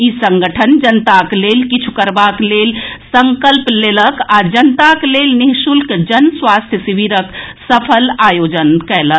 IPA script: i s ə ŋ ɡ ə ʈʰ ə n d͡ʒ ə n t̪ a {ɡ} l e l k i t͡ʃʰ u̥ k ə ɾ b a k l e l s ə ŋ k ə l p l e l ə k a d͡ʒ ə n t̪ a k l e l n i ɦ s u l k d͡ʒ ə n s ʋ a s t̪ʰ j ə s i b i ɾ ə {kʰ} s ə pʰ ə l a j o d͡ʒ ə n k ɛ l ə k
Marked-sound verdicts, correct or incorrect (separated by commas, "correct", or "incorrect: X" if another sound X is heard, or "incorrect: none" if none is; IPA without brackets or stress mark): incorrect: k, incorrect: k